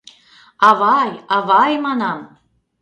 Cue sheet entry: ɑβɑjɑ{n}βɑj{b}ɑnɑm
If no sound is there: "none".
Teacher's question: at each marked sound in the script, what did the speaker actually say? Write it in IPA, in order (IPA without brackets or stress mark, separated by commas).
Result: none, m